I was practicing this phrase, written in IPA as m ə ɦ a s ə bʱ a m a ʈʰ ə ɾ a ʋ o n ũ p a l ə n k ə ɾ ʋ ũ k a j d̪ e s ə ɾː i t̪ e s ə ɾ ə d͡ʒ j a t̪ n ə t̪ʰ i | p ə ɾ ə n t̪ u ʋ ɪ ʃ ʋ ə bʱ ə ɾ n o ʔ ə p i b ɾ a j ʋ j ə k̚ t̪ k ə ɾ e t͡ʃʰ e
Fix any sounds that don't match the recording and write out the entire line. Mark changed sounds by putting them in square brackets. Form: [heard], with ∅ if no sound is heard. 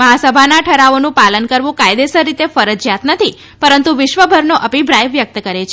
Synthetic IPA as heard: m ə ɦ a s ə bʱ a [n] a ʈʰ ə ɾ a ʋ o n ũ p a l ə n k ə ɾ ʋ ũ k a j d̪ e s ə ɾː i t̪ e [f] ə ɾ ə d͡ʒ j a t̪ n ə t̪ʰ i | p ə ɾ ə n t̪ u ʋ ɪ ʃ ʋ ə bʱ ə ɾ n o ʔ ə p i b ɾ a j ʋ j ə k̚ t̪ k ə ɾ e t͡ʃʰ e